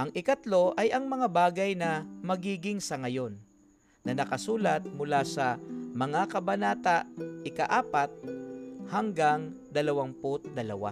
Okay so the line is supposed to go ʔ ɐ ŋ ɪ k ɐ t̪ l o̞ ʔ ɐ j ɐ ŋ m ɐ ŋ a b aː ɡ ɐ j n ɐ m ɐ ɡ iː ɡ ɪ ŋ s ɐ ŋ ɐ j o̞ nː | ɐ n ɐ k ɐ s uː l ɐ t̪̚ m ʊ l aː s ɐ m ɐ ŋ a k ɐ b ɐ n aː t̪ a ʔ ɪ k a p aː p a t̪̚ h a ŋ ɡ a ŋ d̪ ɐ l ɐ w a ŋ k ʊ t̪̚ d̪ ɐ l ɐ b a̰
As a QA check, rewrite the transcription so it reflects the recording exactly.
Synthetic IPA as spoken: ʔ ɐ ŋ ɪ k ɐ t̪ l o̞ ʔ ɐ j ɐ ŋ m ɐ ŋ a b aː ɡ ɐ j n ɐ m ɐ ɡ iː ɡ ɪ ŋ s ɐ ŋ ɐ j o̞ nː | ɐ n ɐ k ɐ s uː l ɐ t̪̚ m ʊ l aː s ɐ m ɐ ŋ a k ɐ b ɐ n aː t̪ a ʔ ɪ k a ʔ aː p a t̪̚ h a ŋ ɡ a ŋ d̪ ɐ l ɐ w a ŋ p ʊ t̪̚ d̪ ɐ l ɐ w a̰